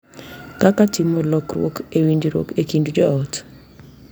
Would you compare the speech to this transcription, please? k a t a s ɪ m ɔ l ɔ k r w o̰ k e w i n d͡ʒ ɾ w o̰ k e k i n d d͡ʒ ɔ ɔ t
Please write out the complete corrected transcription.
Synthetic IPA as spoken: k a k a t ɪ m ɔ l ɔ k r w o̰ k e w i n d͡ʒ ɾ w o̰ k e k i n d d͡ʒ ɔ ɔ t